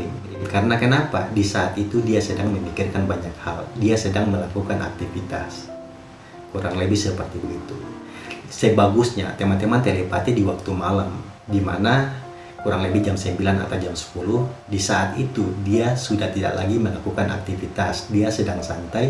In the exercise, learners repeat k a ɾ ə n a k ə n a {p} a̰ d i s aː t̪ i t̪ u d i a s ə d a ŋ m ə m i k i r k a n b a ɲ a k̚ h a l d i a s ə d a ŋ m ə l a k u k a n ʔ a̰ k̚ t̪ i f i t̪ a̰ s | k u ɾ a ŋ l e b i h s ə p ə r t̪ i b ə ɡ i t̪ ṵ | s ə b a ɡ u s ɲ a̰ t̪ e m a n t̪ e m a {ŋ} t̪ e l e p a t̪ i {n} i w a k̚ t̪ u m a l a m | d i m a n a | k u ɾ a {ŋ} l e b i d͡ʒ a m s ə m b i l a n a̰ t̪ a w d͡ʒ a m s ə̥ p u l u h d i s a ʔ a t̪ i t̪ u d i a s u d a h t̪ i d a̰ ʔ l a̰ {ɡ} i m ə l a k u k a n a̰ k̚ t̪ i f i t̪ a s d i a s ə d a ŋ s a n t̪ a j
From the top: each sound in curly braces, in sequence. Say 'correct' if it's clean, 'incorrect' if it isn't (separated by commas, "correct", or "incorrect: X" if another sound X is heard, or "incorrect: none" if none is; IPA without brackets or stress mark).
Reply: correct, incorrect: n, incorrect: d, correct, correct